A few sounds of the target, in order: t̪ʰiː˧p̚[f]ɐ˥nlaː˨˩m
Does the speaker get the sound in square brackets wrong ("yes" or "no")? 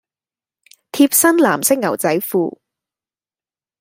yes